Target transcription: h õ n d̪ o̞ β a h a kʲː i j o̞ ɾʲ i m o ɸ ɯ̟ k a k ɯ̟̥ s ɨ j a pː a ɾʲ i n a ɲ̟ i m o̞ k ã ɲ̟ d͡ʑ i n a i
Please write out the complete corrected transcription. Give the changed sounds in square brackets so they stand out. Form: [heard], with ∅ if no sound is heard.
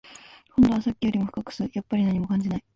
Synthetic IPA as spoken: h õ n d̪ o̞ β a [s] a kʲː i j o̞ ɾʲ i m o ɸ ɯ̟ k a k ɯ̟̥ s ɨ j a pː a ɾʲ i n a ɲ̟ i m o̞ k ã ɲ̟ d͡ʑ i n a i